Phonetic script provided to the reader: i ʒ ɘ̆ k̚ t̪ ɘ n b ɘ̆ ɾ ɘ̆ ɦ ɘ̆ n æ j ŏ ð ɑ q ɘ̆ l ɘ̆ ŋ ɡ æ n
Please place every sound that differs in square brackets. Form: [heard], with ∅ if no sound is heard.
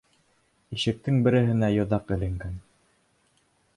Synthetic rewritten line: i [ʃ] ɘ̆ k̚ t̪ ɘ [ŋ] b ɘ̆ ɾ ɘ̆ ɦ ɘ̆ n æ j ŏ ð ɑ q ɘ̆ l ɘ̆ ŋ ɡ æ n

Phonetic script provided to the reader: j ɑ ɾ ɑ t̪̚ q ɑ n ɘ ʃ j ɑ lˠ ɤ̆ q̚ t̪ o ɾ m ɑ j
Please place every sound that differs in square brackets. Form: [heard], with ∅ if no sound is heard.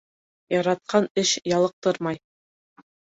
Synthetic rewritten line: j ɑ ɾ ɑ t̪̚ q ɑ n ɘ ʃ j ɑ lˠ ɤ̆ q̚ t̪ [ɤ] ɾ m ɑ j

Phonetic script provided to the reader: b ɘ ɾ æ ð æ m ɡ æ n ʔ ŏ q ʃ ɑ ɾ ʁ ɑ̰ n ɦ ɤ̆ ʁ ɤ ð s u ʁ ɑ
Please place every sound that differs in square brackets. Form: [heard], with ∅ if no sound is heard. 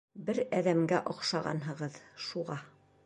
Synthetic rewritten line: b ɘ ɾ æ ð æ m ɡ æ [∅] ʔ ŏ q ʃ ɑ [∅] ʁ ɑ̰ n ɦ ɤ̆ ʁ ɤ ð [ʃ] u ʁ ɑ

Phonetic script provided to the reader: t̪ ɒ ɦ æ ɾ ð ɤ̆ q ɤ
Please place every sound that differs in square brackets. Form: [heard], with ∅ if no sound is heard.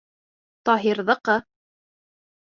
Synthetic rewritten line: t̪ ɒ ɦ [i] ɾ ð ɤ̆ q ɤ

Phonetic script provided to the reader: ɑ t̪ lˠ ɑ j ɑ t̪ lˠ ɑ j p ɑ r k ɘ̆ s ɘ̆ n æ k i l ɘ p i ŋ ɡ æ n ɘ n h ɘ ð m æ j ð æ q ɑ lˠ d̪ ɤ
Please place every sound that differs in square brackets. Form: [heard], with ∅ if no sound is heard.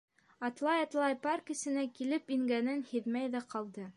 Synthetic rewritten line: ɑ t̪ lˠ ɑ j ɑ t̪ lˠ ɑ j p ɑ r k ɘ̆ s ɘ̆ n æ k i l ɘ p i ŋ ɡ æ n ɘ n h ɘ ð m æ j ð æ q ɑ lˠ d̪ ɤ

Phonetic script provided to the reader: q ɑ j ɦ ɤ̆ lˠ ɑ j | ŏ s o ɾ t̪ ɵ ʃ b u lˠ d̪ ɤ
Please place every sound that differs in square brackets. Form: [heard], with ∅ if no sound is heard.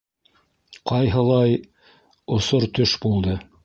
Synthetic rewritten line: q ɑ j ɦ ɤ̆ lˠ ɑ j | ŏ s o ɾ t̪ ɵ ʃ b u lˠ d̪ ɤ

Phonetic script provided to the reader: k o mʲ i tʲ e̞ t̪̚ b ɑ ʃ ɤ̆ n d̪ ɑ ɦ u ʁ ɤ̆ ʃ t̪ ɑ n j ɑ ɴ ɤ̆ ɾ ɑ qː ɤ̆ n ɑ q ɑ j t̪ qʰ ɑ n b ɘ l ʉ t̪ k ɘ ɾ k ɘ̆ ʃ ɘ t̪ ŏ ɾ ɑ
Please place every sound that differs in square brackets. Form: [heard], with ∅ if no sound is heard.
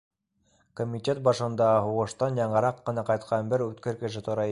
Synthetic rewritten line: k o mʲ i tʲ e̞ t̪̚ b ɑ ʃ ɤ̆ n d̪ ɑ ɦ u ʁ ɤ̆ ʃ t̪ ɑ n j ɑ ɴ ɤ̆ ɾ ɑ qː ɤ̆ n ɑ q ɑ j t̪ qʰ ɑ n b ɘ [ɾ] ʉ t̪ k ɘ ɾ k ɘ̆ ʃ ɘ t̪ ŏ ɾ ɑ

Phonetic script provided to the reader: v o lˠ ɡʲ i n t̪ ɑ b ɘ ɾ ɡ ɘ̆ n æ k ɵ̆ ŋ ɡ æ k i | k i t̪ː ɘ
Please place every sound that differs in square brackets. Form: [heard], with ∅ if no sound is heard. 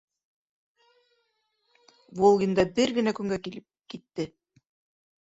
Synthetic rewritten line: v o lˠ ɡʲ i n [d̪] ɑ b ɘ ɾ ɡ ɘ̆ n æ k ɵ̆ ŋ ɡ æ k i | k i t̪ː ɘ

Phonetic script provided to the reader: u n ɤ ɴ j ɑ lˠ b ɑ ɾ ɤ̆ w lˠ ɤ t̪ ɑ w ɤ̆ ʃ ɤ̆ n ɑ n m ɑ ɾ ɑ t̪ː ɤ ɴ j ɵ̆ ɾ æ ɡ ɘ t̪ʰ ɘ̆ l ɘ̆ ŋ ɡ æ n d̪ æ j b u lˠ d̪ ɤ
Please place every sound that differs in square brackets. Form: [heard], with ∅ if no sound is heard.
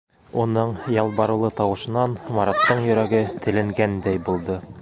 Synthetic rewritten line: u n ɤ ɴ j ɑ lˠ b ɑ ɾ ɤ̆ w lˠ ɤ t̪ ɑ w ɤ̆ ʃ ɤ̆ n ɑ n m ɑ ɾ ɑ t̪ː ɤ ɴ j ɵ̆ ɾ æ ɡ ɘ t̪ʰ ɘ̆ l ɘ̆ ŋ ɡ æ n d̪ æ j b u lˠ d̪ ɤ

